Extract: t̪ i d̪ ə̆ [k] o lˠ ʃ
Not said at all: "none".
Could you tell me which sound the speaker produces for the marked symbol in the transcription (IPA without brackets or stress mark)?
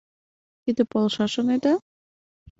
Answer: p